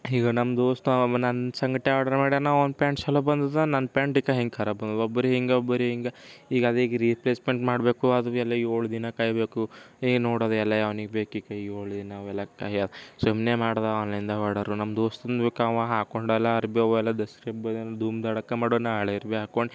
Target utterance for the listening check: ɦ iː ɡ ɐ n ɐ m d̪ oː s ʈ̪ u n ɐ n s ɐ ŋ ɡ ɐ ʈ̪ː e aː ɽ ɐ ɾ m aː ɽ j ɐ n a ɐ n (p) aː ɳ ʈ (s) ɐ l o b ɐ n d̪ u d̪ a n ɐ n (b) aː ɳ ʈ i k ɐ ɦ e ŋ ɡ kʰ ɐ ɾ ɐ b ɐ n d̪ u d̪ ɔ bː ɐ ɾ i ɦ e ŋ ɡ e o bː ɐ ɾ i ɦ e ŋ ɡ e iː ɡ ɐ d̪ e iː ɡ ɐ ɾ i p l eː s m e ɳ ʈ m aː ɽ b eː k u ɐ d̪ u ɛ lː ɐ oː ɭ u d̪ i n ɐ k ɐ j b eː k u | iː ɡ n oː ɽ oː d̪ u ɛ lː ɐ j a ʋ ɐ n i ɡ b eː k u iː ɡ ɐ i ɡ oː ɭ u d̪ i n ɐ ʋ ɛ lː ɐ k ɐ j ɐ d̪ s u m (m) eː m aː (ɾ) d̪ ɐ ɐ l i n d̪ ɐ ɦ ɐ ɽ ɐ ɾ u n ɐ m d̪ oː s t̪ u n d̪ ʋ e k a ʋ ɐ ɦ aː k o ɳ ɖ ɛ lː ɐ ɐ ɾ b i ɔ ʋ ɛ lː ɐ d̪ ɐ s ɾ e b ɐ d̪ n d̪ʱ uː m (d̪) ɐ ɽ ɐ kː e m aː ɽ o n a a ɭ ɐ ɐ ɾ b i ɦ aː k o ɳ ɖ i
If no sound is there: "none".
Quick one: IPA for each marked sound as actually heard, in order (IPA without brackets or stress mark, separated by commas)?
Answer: p, s, p, n, ɽ, d̪